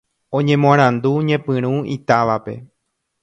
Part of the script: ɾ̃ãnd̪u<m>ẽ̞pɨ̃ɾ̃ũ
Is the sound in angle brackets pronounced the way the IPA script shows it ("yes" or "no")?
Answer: no